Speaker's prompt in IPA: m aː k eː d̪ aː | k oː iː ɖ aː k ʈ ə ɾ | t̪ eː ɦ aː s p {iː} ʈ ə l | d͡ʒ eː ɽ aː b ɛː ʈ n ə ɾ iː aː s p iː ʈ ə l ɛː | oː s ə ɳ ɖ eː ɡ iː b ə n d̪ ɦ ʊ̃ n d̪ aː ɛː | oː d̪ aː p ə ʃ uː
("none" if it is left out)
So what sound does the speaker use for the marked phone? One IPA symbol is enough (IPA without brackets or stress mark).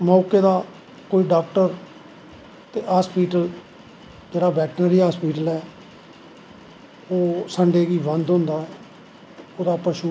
iː